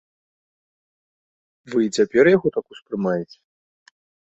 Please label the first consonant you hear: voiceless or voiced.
voiced